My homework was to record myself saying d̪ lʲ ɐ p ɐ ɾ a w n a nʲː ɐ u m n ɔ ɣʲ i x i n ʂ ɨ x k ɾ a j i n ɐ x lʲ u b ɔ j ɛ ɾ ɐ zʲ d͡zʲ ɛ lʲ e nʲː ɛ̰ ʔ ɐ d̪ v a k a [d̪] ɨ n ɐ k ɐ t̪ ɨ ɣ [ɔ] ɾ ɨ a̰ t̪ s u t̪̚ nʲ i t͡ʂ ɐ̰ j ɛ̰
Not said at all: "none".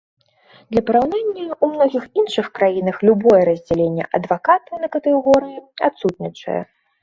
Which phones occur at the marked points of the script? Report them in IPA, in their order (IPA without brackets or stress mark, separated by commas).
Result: t̪, ɔ